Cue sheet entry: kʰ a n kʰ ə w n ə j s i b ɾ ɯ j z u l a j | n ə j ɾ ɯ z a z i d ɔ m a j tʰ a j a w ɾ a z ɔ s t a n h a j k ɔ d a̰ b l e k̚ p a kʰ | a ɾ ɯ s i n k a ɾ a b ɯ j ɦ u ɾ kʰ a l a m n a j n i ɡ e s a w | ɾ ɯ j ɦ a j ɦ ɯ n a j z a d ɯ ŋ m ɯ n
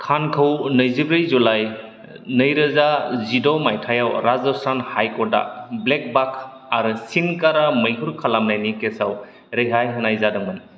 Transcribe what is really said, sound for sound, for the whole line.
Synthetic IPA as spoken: kʰ a n kʰ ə w n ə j z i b ɾ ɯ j z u l a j | n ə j ɾ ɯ z a z i d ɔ m a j tʰ a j a w ɾ a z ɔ s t a n h a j k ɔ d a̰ b l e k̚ b a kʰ | a ɾ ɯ s i n k a ɾ a m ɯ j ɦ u ɾ kʰ a l a m n a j n i k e s a w | ɾ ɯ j ɦ a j ɦ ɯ n a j z a d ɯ ŋ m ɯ n